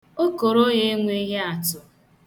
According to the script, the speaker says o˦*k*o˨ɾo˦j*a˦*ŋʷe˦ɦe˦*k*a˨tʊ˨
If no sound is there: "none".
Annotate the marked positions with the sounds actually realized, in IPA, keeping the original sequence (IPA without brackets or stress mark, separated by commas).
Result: k, e˦, none